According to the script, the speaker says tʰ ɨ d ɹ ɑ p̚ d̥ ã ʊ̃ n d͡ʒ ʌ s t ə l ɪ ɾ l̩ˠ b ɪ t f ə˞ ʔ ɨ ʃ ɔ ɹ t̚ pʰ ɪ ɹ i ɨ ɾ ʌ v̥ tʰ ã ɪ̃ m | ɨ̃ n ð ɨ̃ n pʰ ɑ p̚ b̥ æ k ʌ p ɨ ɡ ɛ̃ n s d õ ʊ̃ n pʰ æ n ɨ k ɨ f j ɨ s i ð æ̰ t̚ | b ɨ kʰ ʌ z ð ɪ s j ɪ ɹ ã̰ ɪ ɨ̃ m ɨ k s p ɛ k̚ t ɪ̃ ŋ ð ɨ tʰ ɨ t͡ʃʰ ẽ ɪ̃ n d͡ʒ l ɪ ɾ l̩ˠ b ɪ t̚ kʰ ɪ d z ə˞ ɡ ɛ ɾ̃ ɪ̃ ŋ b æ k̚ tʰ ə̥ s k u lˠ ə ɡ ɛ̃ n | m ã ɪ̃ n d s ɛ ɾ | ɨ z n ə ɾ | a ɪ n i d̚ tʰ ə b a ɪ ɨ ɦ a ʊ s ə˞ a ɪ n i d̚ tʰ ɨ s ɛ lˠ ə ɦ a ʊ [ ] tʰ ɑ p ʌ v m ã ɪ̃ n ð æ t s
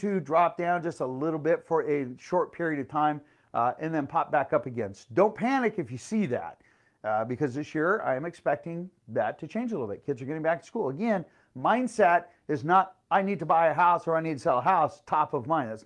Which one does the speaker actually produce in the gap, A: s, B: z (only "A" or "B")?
A